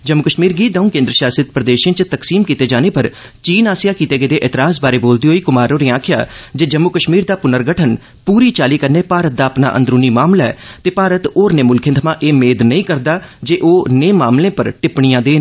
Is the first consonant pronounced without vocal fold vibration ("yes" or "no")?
no